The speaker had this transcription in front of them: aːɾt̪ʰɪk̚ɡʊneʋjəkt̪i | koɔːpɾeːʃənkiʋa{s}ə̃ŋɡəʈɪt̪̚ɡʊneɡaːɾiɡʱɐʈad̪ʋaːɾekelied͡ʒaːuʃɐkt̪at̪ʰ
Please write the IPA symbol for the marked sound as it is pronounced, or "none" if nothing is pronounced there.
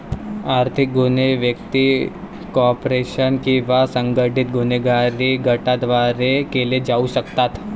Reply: s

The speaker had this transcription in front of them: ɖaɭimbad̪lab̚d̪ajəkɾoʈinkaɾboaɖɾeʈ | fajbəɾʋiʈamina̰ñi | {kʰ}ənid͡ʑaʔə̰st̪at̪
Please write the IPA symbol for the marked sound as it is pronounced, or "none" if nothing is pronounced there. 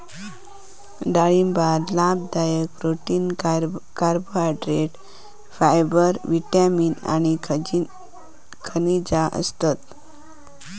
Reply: kʰ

